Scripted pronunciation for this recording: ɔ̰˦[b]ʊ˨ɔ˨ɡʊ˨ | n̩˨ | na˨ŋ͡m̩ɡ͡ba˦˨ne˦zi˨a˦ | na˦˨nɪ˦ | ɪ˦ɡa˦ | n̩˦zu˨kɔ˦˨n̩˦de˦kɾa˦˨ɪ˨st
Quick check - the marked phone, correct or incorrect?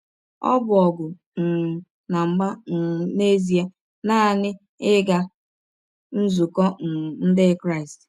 correct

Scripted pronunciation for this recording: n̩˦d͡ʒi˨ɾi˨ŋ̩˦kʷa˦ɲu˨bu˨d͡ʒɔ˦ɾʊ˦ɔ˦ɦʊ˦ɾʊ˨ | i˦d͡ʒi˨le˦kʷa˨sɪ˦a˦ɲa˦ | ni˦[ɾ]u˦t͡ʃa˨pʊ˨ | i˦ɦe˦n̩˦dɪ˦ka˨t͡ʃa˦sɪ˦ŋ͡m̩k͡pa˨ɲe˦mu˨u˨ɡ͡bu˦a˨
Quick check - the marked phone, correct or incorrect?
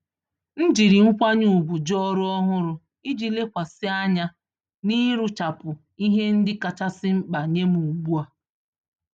correct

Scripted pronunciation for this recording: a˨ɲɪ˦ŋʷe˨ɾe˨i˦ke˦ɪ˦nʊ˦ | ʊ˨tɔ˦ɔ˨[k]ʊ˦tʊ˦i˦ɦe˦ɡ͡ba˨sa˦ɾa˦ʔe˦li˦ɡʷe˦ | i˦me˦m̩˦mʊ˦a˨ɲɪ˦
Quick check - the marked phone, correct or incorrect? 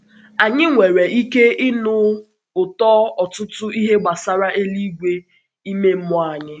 incorrect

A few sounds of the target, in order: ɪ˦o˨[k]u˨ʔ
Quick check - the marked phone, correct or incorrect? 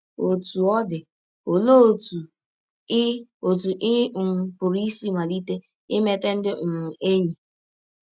incorrect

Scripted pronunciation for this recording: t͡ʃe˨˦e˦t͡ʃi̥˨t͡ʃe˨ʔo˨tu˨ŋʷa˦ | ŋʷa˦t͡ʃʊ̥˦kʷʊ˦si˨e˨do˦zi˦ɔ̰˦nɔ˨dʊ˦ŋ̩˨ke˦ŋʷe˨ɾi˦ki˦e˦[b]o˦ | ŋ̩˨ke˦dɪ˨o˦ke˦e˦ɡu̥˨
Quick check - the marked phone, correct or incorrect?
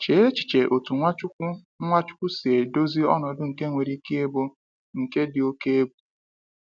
correct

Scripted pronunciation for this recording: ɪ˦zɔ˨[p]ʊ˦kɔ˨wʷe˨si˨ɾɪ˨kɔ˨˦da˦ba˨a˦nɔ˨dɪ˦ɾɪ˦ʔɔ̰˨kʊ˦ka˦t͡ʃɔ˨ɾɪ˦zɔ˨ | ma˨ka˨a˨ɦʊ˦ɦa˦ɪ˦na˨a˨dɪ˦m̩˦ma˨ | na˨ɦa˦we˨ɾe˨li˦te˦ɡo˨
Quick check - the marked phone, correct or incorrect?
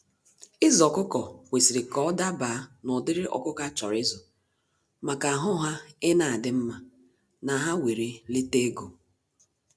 incorrect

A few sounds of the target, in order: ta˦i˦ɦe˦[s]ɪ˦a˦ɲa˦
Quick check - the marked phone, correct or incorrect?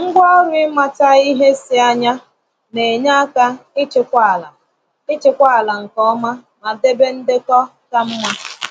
correct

